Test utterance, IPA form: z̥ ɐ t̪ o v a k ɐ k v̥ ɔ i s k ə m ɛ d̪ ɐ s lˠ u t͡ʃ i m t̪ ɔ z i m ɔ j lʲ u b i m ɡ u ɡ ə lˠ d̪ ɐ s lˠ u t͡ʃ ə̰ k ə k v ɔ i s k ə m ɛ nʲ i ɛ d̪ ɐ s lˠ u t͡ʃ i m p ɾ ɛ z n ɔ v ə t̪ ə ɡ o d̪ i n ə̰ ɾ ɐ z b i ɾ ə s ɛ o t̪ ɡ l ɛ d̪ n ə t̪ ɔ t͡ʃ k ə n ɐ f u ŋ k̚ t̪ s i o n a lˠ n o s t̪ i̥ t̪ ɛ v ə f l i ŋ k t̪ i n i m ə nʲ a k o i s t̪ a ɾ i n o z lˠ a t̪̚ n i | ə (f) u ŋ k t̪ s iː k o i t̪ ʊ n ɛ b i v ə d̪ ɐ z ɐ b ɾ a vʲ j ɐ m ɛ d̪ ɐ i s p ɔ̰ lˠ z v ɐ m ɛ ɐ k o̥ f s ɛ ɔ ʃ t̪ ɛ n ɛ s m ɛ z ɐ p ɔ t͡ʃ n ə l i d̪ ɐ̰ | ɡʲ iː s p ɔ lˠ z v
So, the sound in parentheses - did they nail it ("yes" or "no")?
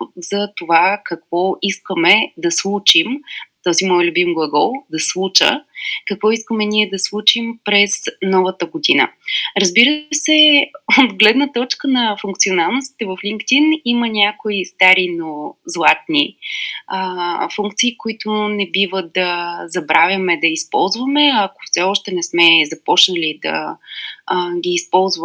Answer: yes